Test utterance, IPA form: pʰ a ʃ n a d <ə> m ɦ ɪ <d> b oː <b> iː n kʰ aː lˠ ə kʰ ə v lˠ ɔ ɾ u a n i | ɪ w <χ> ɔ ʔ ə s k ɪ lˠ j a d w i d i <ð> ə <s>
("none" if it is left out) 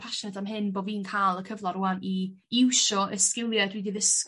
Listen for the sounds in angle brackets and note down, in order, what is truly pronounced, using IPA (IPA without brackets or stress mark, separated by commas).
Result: a, n, v, ʃ, ð, s